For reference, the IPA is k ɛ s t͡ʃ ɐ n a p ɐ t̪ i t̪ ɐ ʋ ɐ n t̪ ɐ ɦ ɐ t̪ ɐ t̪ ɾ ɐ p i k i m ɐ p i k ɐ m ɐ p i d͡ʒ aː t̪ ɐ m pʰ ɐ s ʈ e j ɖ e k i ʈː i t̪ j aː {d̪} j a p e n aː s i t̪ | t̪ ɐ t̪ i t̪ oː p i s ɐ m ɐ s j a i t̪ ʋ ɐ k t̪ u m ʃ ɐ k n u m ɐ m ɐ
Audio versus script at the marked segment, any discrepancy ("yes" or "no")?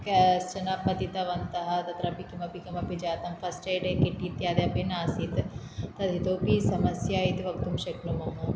no